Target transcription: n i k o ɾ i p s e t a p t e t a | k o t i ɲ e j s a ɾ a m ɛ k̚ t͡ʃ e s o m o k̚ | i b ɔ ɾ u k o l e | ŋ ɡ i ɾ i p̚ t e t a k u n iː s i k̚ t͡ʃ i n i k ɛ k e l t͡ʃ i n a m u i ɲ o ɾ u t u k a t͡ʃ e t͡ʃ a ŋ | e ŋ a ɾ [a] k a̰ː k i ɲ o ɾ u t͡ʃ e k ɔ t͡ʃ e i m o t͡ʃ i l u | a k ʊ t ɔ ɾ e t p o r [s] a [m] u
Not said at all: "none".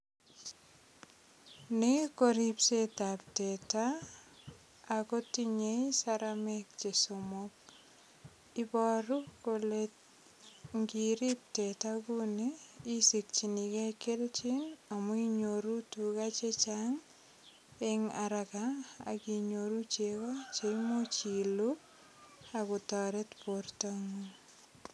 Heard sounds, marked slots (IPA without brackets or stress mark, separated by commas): a, t, ŋ